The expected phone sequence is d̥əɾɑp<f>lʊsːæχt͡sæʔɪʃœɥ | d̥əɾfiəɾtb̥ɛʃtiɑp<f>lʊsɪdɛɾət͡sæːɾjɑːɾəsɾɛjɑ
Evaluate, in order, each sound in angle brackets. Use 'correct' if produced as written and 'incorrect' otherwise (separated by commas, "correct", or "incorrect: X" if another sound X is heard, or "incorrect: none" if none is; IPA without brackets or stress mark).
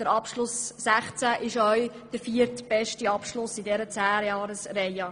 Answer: incorrect: ʃ, incorrect: ʃ